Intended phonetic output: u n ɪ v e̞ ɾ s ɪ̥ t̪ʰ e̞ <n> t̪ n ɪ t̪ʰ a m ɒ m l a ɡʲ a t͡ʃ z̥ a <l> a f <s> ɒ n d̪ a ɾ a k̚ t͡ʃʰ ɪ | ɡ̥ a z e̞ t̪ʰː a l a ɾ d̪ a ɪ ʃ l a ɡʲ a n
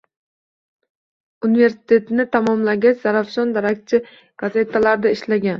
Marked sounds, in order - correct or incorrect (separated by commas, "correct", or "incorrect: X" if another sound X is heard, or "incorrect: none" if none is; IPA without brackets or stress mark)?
incorrect: none, incorrect: ɾ, incorrect: ʃ